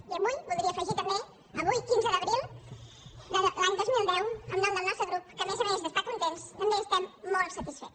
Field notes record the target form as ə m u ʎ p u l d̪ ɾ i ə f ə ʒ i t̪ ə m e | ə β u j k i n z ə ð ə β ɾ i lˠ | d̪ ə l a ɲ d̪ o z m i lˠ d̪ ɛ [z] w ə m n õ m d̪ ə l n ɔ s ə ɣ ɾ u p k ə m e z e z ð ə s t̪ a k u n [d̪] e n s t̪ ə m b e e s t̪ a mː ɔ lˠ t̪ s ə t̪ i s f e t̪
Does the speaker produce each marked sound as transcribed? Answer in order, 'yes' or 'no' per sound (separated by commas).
no, no